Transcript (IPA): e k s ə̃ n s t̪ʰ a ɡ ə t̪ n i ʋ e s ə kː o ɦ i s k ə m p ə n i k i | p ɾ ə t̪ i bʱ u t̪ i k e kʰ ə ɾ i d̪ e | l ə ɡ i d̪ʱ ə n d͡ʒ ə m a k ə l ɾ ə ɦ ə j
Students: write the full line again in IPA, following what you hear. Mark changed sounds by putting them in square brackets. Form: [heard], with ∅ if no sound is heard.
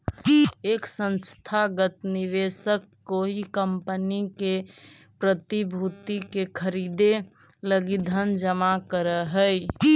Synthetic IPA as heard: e k s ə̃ n s t̪ʰ a ɡ ə t̪ n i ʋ e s ə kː o ɦ i [∅] k ə m p ə n i k [e] | p ɾ ə t̪ i bʱ u t̪ i k e kʰ ə ɾ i d̪ e | l ə ɡ i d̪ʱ ə n d͡ʒ ə m a k ə [∅] ɾ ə ɦ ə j